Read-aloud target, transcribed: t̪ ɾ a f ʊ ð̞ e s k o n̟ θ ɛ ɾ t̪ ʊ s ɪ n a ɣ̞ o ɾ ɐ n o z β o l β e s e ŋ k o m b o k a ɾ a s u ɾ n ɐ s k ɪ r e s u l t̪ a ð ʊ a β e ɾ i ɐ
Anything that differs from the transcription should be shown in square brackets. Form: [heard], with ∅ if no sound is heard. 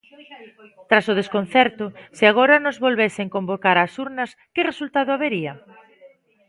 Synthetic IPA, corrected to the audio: t̪ ɾ a [s] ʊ ð̞ e s k o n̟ θ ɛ ɾ t̪ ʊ s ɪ [∅] a ɣ̞ o ɾ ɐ n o z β o l β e s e ŋ k o m b o k a ɾ a s u ɾ n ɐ s k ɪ r e s u l t̪ a ð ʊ a β e ɾ i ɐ